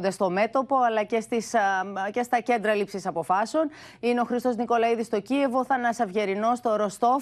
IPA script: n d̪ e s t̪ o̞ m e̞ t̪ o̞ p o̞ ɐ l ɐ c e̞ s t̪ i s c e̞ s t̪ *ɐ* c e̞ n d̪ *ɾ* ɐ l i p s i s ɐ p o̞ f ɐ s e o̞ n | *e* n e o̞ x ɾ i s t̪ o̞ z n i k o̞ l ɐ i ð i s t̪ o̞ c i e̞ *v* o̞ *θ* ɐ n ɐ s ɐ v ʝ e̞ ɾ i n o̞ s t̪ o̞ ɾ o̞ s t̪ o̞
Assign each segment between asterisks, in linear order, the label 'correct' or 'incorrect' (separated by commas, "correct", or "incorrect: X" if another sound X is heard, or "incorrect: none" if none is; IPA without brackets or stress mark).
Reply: correct, correct, incorrect: i, correct, correct